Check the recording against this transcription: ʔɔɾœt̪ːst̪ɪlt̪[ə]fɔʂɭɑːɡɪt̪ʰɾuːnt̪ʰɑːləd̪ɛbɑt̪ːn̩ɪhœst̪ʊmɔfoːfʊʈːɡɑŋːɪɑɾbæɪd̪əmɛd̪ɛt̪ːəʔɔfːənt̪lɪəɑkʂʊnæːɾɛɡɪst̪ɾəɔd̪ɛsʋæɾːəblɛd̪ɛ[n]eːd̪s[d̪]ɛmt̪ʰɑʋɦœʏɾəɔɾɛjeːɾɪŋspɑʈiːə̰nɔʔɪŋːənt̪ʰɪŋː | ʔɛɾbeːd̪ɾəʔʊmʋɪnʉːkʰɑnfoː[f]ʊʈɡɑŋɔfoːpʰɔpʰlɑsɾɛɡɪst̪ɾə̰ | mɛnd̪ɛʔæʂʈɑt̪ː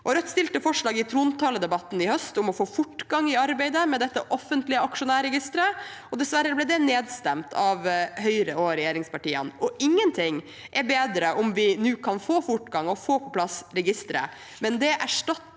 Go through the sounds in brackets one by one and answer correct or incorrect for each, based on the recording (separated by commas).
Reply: correct, correct, incorrect, correct